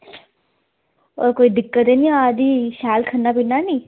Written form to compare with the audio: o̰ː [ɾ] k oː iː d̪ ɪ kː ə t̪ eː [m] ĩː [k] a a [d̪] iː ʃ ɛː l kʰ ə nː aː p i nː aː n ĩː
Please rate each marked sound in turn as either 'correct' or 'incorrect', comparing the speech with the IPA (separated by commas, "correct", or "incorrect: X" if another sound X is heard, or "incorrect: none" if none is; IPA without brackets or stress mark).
correct, incorrect: n, incorrect: none, correct